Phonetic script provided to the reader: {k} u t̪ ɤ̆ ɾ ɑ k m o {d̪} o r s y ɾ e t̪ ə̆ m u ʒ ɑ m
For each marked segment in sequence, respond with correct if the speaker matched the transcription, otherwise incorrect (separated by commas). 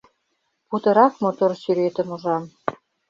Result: incorrect, incorrect